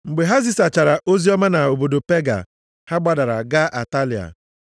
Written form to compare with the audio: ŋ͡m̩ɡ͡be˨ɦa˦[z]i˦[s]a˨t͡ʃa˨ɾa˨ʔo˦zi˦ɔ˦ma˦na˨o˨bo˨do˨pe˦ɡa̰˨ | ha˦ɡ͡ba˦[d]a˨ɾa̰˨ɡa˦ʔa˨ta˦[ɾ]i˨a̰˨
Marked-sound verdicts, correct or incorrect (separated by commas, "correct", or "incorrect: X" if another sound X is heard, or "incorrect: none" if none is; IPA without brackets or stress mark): correct, correct, correct, incorrect: l